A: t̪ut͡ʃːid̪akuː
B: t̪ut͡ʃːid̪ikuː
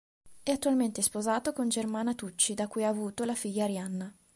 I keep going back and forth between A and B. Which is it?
A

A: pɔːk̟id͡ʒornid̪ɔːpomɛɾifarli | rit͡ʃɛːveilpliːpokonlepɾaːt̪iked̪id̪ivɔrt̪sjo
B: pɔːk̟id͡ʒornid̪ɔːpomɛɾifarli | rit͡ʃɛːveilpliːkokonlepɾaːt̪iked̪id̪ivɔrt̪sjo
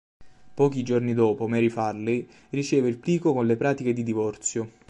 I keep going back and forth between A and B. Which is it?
B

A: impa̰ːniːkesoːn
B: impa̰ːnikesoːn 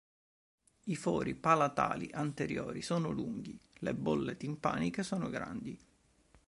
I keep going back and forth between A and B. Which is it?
B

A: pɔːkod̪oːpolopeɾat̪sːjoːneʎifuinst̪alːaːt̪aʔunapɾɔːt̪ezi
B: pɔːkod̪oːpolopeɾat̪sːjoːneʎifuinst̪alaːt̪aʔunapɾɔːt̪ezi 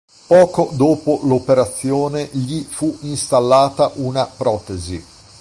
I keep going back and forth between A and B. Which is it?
A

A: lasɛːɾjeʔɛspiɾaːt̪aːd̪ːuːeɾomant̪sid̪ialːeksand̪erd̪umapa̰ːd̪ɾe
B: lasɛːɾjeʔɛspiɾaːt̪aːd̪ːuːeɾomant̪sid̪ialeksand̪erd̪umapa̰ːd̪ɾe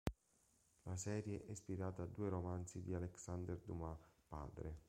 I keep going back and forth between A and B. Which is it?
B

